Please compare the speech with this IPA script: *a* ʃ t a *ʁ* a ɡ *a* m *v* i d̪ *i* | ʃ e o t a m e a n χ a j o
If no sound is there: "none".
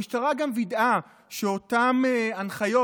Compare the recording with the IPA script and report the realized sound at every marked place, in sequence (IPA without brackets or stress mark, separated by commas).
i, ʁ, a, v, a